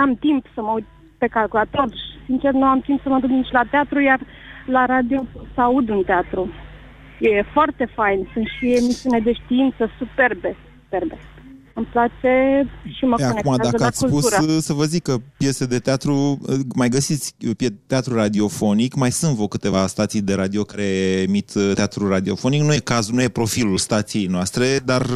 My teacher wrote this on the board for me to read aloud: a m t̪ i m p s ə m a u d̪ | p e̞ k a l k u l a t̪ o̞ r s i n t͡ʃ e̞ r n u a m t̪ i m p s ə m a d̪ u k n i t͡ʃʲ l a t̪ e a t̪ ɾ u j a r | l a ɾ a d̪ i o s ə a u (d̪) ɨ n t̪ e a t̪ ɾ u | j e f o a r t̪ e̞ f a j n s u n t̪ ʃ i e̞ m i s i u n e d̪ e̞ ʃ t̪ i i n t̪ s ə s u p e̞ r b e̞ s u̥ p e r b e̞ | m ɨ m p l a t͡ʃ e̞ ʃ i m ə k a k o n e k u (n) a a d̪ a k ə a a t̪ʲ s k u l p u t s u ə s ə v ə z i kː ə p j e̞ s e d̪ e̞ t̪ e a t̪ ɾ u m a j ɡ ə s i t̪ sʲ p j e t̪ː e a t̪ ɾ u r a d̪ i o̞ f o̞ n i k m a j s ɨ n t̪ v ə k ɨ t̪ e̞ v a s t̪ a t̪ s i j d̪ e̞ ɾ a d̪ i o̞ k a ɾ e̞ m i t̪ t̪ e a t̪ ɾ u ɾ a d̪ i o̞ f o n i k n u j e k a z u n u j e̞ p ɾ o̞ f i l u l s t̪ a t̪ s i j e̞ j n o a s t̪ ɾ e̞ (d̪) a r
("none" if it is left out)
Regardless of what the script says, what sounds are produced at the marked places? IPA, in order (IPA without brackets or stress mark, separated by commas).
d̪, m, d̪